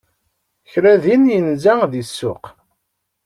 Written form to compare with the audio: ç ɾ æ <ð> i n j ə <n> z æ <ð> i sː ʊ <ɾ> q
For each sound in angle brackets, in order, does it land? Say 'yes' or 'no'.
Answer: yes, yes, yes, no

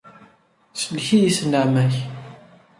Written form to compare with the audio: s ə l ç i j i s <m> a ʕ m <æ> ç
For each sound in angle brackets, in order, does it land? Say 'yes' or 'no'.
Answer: no, yes

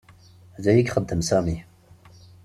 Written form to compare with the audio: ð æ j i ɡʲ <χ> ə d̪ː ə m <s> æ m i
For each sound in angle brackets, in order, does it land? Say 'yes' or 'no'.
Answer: yes, yes

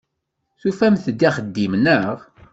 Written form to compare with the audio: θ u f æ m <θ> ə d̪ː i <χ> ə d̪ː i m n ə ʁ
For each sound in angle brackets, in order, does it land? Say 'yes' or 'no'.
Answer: yes, yes

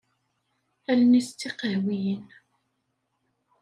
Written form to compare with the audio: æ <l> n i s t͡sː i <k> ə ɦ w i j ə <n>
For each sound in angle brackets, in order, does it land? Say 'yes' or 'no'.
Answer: yes, no, yes

